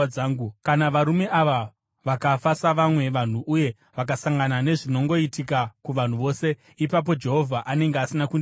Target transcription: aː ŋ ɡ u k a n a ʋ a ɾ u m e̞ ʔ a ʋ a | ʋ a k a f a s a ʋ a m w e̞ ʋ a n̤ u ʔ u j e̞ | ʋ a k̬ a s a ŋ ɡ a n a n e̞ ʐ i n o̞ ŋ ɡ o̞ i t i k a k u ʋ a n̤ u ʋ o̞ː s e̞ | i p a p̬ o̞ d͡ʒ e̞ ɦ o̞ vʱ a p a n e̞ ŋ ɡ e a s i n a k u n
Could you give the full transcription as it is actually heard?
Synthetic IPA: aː ŋ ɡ u k a n a ʋ a ɾ u m e̞ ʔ a ʋ a | ʋ a k a f a s a ʋ a m w e̞ ʋ a n̤ u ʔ u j e̞ | ʋ a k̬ a s a ŋ ɡ a n a n e̞ ʐ i n o̞ ŋ ɡ o̞ i t i k a k u ʋ a n̤ u ʋ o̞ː s e̞ | i p a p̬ o̞ d͡ʒ e̞ ɦ o̞ vʱ a ʔ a n e̞ ŋ ɡ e a s i n a k u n